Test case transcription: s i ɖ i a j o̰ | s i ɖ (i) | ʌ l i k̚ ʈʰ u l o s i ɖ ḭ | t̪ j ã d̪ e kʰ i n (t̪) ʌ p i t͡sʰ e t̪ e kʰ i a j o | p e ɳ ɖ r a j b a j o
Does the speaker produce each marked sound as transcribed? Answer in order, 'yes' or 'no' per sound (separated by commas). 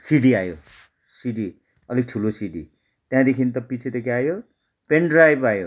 yes, yes